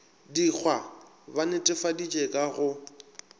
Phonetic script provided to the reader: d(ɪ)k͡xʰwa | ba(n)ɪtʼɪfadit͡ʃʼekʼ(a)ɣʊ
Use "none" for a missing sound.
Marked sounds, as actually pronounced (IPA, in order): i, n, a

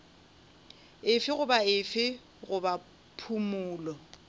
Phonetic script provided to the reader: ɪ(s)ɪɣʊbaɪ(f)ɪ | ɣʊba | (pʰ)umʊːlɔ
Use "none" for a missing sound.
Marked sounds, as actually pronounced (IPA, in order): f, f, pʰ

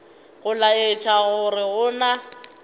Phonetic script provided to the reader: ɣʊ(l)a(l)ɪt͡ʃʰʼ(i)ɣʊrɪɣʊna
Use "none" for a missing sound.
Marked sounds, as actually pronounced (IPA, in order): l, none, a

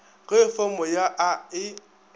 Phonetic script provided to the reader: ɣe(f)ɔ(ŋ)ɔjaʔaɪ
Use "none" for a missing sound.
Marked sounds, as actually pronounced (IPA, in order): f, m

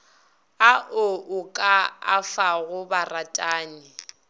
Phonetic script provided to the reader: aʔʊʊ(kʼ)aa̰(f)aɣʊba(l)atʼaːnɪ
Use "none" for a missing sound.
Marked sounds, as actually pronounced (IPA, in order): kʼ, f, r

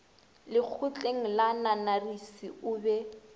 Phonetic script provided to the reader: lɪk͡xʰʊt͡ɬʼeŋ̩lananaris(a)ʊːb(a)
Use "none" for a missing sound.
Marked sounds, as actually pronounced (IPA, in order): i, ɛ

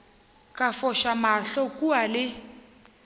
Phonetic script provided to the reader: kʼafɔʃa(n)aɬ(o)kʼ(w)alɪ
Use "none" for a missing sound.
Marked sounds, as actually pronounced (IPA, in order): m, ɔ, u

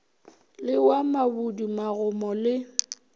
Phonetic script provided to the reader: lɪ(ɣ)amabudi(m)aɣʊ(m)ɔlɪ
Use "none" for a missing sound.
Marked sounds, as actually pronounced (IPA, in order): w, m, m

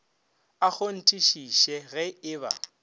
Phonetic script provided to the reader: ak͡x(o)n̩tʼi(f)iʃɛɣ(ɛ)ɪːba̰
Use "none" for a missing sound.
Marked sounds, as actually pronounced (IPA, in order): o, ʃ, ɛ

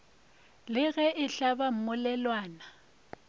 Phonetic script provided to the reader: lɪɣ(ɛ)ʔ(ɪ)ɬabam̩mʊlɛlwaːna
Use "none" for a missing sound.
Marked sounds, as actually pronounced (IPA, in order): ɛ, ɪ

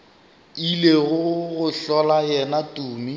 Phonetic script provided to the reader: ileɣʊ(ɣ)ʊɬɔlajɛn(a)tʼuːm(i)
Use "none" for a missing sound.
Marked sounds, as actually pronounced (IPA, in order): ɣ, a, i

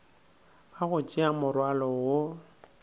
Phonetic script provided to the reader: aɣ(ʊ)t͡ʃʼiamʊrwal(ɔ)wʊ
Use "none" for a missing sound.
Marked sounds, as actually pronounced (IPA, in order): ʊ, ɔ

